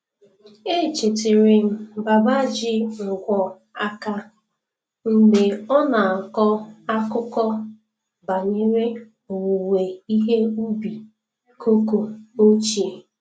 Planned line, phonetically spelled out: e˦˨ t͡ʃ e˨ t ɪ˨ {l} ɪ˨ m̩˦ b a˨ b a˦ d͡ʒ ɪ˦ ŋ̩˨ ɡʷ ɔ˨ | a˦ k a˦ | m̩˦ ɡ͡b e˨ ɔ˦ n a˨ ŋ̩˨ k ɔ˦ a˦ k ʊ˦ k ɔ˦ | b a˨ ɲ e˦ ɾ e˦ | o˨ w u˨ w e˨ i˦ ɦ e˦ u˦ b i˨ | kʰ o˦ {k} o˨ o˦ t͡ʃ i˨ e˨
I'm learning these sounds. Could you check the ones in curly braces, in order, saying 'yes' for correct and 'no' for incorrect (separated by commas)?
no, yes